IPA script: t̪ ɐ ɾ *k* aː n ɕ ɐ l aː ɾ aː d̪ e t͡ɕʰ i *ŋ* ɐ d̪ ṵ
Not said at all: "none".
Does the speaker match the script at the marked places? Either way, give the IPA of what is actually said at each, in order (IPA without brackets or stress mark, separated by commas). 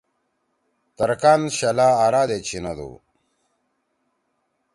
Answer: k, n